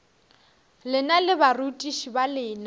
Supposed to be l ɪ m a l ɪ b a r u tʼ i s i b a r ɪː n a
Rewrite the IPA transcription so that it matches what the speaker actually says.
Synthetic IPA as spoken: l ɪ n a l ɪ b a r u tʼ i ʃ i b a l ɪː n a